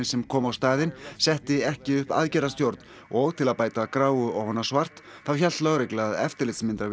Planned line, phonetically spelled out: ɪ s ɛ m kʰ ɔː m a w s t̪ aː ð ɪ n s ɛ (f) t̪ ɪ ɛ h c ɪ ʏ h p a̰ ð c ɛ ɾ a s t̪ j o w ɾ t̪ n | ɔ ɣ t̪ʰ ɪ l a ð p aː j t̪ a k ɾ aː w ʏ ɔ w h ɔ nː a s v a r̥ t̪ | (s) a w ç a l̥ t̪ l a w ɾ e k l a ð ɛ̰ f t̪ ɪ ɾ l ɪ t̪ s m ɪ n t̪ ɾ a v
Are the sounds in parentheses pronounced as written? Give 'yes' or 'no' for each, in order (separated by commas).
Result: no, no